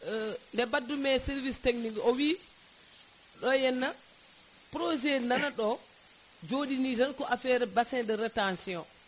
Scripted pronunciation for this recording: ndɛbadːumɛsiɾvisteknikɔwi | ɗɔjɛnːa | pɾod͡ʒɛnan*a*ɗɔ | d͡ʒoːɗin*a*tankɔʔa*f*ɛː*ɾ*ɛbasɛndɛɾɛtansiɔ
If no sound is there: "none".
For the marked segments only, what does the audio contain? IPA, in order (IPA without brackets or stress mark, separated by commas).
a, i, f, ɾ